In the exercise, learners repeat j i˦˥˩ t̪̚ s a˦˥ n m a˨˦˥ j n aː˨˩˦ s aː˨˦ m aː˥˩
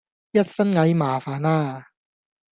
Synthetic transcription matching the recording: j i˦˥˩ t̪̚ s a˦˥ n ŋ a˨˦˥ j m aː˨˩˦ f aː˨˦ n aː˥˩

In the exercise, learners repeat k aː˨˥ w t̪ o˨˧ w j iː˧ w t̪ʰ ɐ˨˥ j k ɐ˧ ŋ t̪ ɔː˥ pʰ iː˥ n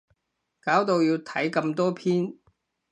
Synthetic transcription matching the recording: k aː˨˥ w t̪ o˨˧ w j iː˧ w t̪ʰ ɐ˨˥ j k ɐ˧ m t̪ ɔː˥ pʰ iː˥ n

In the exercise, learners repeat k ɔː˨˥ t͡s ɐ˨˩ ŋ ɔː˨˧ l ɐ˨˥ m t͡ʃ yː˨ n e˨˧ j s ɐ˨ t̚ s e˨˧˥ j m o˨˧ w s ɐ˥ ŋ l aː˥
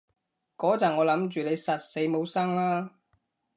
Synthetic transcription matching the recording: k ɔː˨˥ t͡s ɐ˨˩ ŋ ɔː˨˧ l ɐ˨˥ m t͡ʃ yː˨ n e˨˧ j s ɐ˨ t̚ s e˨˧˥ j m o˨˧ w s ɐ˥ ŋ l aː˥

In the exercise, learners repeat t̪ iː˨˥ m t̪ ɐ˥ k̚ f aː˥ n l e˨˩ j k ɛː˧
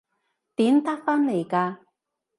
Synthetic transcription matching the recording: t̪ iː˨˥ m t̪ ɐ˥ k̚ f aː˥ n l e˨˩ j k aː˧

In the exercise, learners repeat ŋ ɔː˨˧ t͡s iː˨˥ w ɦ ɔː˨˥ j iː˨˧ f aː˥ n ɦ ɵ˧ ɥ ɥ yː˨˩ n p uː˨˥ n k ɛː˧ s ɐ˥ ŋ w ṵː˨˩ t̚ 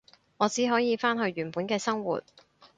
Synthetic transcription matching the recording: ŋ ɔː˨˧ t͡s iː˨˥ ɦ ɔː˨˥ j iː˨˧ f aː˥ n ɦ ɵ˧ ɥ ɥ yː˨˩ n p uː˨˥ n k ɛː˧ s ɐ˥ ŋ w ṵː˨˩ t̚

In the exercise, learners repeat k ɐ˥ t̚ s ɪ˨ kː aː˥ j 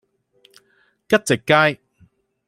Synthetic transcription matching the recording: k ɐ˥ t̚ t͡s ɪ˨ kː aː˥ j

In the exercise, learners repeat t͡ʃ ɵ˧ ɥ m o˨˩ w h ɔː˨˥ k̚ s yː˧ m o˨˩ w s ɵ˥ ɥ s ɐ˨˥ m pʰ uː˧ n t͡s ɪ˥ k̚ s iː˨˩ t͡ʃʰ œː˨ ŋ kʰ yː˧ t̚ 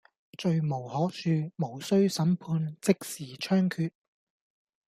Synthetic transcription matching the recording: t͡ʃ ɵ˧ ɥ m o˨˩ w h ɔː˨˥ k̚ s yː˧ m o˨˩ w s ɵ˥ ɥ s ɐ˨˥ m pʰ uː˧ n t͡s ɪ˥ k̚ s iː˨˩ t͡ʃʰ œː˥ ŋ kʰ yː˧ t̚

